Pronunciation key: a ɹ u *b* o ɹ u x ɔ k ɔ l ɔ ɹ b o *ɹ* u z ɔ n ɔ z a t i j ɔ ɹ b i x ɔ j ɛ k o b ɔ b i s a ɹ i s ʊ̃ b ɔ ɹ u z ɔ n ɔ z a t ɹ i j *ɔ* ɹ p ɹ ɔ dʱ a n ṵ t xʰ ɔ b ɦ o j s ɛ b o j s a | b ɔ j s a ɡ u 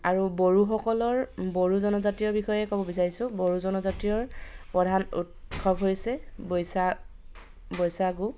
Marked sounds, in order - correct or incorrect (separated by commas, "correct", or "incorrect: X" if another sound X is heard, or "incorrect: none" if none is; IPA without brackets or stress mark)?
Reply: correct, correct, correct